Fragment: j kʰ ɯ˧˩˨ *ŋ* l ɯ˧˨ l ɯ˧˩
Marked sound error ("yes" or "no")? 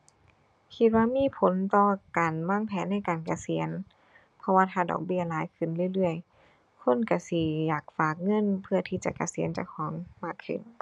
yes